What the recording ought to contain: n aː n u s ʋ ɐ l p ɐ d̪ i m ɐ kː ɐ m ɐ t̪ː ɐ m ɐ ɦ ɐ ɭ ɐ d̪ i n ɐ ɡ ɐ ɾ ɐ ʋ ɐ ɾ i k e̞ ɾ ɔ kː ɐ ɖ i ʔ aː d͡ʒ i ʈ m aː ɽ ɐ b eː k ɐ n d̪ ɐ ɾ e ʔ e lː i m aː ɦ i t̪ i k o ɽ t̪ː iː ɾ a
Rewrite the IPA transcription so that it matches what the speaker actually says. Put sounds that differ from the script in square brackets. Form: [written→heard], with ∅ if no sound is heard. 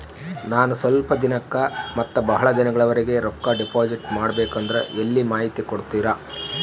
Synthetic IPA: n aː n u s ʋ ɐ l p ɐ d̪ i [m→n] ɐ kː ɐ m ɐ t̪ː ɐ [m→b] ɐ ɦ ɐ ɭ ɐ d̪ i n ɐ ɡ ɐ [ɾ→ɭ] ɐ ʋ ɐ ɾ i [k→ɡ] e̞ ɾ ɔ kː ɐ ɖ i [ʔ→p] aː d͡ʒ i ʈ m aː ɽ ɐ b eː k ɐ n d̪ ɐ ɾ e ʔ e lː i m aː ɦ i t̪ i k o ɽ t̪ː iː ɾ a

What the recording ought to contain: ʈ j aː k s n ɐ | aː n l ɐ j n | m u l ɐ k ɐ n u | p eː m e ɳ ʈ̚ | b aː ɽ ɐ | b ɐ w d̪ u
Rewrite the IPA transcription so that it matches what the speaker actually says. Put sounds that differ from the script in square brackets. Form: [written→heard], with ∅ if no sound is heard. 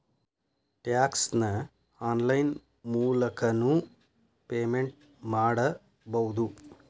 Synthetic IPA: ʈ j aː k s n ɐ | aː n l ɐ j n | m [u→uː] l ɐ k ɐ n u | p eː m e ɳ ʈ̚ | [b→m] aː ɽ ɐ | b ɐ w d̪ u

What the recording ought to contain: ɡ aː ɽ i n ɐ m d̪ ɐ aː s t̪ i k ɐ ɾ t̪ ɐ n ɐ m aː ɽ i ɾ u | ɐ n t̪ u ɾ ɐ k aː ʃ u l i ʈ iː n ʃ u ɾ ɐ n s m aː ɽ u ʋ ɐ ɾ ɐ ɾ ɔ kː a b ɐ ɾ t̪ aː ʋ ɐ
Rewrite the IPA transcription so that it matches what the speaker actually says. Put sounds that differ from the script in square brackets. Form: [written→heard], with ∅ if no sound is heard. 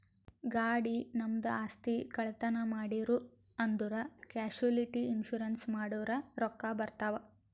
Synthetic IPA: ɡ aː ɽ i n ɐ m d̪ ɐ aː s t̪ i k ɐ [ɾ→ɭ] t̪ ɐ n ɐ m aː ɽ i ɾ u | ɐ n [t̪→d̪] u ɾ ɐ k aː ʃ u l i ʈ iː n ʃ u ɾ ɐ n s m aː ɽ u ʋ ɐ ɾ ɐ ɾ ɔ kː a b ɐ ɾ t̪ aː ʋ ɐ

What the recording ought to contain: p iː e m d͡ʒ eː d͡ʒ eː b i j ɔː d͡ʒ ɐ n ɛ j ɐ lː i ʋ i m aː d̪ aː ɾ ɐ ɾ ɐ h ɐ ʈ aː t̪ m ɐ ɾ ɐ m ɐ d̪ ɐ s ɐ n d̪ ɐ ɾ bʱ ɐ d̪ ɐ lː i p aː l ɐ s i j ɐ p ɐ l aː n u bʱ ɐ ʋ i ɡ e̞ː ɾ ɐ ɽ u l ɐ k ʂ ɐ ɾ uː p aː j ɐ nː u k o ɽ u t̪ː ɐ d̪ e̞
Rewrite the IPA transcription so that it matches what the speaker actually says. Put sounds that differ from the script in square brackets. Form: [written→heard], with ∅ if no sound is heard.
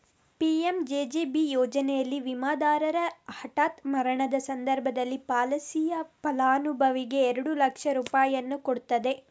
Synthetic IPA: p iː e m d͡ʒ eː d͡ʒ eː b i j ɔː d͡ʒ ɐ n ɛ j ɐ lː i ʋ i m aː d̪ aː ɾ ɐ ɾ ɐ h ɐ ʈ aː t̪ m ɐ ɾ ɐ [m→ɳ] ɐ d̪ ɐ s ɐ n d̪ ɐ ɾ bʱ ɐ d̪ ɐ lː i p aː l ɐ s i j ɐ p ɐ l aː n u bʱ ɐ ʋ i ɡ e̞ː ɾ ɐ ɽ u l ɐ k ʂ ɐ ɾ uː p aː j ɐ nː u k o ɽ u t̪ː ɐ d̪ e̞

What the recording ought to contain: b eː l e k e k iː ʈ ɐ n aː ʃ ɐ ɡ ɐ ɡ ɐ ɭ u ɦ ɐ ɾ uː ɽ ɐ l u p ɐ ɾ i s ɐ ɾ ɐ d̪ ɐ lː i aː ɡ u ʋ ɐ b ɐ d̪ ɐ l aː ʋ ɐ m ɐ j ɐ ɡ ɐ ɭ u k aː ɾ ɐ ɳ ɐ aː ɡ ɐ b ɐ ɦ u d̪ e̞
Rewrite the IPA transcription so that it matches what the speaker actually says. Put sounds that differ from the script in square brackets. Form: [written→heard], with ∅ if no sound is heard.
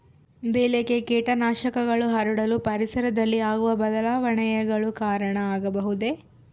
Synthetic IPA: b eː l e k e k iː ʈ ɐ n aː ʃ ɐ [ɡ→k] ɐ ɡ ɐ ɭ u ɦ ɐ ɾ [uː→u] ɽ ɐ l u p ɐ ɾ i s ɐ ɾ ɐ d̪ ɐ lː i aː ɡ u ʋ ɐ b ɐ d̪ ɐ l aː ʋ ɐ [m→ɳ] ɐ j ɐ ɡ ɐ ɭ u k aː ɾ ɐ ɳ ɐ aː ɡ ɐ b ɐ ɦ u d̪ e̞

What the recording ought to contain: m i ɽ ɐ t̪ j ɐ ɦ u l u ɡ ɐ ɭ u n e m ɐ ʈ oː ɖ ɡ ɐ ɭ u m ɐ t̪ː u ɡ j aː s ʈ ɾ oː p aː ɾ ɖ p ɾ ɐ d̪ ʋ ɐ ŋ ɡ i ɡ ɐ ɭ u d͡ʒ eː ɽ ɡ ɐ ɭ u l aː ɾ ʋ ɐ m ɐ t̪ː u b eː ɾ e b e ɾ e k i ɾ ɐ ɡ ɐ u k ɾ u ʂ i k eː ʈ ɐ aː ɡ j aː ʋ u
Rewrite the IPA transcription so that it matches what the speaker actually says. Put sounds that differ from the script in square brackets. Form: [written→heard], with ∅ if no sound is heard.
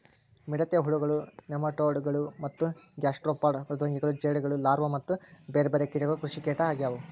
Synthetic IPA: m i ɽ ɐ t̪ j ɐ ɦ u [l→ɭ] u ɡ ɐ ɭ u n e m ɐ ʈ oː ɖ ɡ ɐ ɭ u m ɐ t̪ː u ɡ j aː s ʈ ɾ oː p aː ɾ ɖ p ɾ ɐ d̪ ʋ ɐ ŋ ɡ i ɡ ɐ ɭ u d͡ʒ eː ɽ ɡ ɐ ɭ u l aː ɾ ʋ ɐ m ɐ t̪ː u b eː ɾ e b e ɾ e k i ɾ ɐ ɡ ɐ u k ɾ u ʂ i k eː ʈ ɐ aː ɡ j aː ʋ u

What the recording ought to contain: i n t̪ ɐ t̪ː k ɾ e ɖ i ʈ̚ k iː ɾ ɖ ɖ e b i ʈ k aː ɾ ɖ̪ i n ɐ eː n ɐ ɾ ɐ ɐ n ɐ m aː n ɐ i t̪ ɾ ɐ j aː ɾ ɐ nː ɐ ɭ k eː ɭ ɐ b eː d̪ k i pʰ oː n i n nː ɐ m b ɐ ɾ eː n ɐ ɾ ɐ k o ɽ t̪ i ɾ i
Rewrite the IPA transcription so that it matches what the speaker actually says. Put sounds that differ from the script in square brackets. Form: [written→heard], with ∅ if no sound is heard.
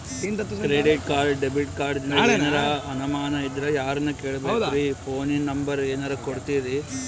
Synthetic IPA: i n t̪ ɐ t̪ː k ɾ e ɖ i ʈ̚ k [iː→aː] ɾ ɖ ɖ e b i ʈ k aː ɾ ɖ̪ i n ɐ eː n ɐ ɾ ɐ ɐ n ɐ m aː n ɐ i [t̪→d̪] ɾ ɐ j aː ɾ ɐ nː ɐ [ɭ→∅] k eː ɭ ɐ b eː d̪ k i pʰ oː n i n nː ɐ m b ɐ ɾ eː n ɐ ɾ ɐ k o ɽ t̪ i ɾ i

